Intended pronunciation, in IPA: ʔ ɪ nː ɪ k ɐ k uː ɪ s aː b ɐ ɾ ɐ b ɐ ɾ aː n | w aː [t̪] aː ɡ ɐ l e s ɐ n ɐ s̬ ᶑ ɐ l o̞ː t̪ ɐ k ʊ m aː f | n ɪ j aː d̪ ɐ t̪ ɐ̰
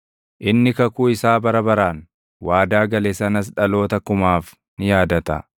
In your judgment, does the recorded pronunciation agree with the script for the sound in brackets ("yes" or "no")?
no